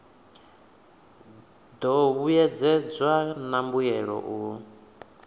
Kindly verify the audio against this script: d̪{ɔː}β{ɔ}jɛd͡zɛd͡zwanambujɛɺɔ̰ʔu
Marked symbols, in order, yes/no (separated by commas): no, no